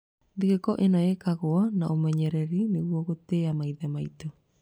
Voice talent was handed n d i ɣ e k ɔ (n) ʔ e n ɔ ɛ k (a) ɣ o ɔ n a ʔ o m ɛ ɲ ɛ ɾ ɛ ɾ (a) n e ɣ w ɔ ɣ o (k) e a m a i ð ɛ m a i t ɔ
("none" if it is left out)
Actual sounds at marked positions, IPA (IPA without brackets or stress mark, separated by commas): none, a, i, t